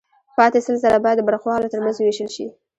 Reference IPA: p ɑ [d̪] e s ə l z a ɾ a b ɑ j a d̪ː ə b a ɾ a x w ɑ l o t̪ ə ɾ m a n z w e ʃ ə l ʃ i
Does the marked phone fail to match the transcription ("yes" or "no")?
yes